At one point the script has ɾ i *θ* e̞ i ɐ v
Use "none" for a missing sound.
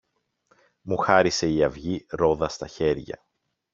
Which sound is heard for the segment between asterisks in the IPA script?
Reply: s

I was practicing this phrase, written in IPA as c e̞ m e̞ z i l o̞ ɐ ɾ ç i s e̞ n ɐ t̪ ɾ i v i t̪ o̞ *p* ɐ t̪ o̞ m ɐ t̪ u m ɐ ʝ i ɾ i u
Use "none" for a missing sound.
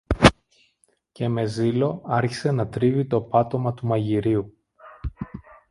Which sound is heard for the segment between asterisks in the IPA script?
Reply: p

